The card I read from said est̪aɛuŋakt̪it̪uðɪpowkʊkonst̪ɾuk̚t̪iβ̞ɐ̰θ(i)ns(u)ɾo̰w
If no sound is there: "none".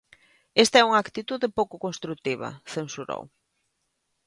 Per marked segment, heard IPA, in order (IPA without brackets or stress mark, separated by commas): e, u